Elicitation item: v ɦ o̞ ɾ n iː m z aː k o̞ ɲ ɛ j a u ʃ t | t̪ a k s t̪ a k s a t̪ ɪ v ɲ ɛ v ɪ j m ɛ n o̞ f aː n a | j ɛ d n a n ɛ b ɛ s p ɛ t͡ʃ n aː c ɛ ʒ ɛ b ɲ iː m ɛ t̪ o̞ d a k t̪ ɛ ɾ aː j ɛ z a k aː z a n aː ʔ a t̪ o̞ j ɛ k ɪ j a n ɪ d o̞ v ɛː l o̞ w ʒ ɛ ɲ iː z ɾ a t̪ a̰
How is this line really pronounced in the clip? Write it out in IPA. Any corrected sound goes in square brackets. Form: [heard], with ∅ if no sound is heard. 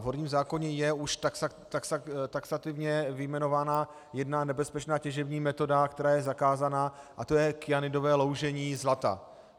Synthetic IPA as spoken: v ɦ o̞ ɾ [ɲ] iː m z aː k o̞ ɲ ɛ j [ɛ] u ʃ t | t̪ a k s t̪ a k s a t̪ ɪ v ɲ ɛ v ɪ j m ɛ n o̞ [v] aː n a | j ɛ d n a n ɛ b ɛ s p ɛ t͡ʃ n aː c ɛ ʒ ɛ b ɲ iː m ɛ t̪ o̞ d a k t̪ ɛ ɾ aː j ɛ z a k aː z a n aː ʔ a t̪ o̞ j ɛ k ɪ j a n ɪ d o̞ v ɛː l o̞ w ʒ ɛ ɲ iː z [l] a t̪ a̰